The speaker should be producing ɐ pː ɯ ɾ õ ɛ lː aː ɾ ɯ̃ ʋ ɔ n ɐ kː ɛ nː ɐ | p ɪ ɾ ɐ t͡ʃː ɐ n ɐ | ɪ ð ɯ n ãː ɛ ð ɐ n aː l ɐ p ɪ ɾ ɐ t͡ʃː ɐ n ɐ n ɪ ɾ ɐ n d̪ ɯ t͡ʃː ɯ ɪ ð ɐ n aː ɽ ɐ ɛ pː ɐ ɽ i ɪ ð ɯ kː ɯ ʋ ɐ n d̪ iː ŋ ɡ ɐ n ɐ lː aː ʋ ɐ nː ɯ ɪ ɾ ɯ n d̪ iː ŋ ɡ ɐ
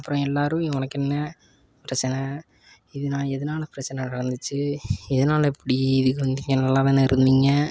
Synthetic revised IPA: ɐ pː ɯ ɾ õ ɛ lː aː ɾ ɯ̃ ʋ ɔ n ɐ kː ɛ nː ɐ | p ɪ ɾ ɐ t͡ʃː ɐ n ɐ | ɪ ð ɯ n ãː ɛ ð ɐ n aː l ɐ p ɪ ɾ ɐ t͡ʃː ɐ n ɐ n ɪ ɾ ɐ n d̪ ɯ t͡ʃː ɯ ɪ ð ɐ n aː l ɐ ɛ pː ɐ ɽ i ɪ ð ɯ kː ɯ ʋ ɐ n d̪ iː ŋ ɡ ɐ n ɐ lː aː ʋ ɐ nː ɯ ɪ ɾ ɯ n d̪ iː ŋ ɡ ɐ